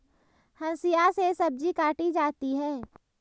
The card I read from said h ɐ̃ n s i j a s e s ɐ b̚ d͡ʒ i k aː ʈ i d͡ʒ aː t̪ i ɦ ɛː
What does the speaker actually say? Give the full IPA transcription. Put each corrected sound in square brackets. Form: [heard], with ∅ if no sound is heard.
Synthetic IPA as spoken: h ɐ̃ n s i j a s e s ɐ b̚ d͡ʒ i k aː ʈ i d͡ʒ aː t̪ i ɦ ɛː